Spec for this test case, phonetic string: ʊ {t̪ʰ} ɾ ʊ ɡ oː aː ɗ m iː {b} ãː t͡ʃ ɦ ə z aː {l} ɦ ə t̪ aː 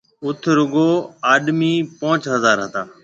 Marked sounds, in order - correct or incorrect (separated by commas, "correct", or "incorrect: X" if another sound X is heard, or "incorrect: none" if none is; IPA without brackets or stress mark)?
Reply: correct, incorrect: p, incorrect: ɾ